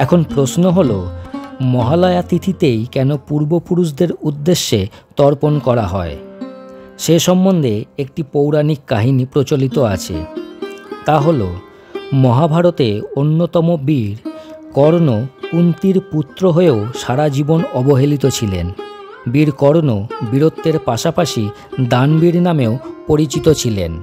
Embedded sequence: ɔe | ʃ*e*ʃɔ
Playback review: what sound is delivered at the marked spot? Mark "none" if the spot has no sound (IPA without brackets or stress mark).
e